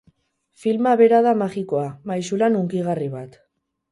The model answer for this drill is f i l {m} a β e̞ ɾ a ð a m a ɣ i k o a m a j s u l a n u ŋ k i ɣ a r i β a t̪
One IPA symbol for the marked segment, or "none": m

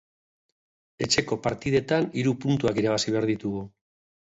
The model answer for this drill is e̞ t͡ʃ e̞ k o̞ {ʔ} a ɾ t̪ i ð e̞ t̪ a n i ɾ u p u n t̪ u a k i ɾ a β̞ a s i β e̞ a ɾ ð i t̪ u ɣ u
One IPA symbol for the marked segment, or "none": p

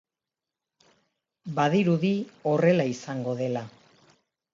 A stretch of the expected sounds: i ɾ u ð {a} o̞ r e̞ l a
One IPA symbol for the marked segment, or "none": i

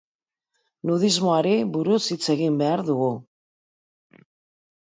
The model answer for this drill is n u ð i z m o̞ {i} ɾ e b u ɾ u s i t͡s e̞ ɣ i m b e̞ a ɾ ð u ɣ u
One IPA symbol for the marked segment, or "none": a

